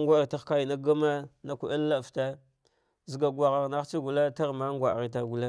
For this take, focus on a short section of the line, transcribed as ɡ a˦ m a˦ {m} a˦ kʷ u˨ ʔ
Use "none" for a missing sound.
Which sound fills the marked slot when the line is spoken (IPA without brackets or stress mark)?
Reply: n